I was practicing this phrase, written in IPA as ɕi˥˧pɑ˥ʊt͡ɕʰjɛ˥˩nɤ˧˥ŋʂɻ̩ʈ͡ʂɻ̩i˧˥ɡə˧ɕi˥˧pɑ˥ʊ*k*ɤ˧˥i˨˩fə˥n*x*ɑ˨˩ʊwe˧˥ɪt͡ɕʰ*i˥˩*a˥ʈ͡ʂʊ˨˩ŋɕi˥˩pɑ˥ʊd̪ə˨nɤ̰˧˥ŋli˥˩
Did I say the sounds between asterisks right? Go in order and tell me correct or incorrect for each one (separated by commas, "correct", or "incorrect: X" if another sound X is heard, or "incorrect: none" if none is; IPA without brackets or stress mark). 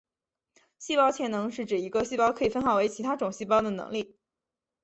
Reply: incorrect: kʰ, correct, incorrect: i˧˥